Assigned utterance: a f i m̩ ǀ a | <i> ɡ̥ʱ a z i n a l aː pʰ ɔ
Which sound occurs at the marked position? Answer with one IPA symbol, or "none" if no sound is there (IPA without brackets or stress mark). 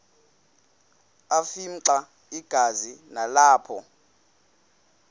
i